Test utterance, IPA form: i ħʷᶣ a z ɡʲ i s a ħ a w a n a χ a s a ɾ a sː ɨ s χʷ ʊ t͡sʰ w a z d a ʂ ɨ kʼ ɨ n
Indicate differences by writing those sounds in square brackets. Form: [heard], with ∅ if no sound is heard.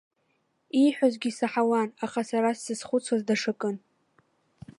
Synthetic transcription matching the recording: i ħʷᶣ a z ɡʲ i s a ħ a w a n a χ a s a ɾ a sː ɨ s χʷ ʊ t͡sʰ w a z d a ʂ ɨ kʼ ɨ n